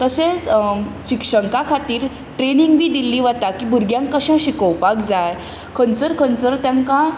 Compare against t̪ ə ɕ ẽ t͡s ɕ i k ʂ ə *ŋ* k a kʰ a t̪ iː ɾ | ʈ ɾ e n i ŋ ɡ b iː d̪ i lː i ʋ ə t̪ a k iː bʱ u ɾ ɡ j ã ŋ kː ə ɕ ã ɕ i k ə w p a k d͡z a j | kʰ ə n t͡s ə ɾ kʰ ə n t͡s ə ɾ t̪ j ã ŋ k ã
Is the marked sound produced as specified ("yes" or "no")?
yes